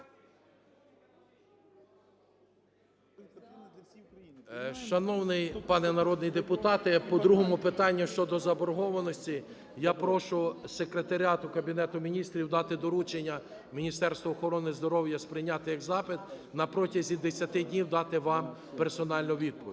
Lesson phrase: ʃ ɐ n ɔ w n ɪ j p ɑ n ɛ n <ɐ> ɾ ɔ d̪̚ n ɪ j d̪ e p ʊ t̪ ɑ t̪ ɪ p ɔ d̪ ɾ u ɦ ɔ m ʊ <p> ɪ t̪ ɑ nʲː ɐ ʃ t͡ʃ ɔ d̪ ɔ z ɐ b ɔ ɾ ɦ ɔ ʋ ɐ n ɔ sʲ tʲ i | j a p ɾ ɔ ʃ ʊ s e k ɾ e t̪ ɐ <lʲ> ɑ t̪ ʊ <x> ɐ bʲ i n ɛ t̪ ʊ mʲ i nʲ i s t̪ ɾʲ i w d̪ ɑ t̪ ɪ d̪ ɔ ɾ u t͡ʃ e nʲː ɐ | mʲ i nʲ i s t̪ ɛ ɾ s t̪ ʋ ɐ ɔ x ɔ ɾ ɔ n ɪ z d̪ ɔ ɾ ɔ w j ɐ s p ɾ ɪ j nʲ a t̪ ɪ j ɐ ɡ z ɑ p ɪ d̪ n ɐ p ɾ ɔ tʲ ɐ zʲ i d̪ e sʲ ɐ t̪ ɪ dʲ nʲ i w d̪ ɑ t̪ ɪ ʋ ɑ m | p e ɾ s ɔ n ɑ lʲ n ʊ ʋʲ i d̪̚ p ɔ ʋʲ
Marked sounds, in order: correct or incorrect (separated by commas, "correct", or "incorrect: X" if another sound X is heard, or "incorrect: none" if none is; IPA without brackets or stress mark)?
correct, correct, incorrect: ɾʲ, incorrect: k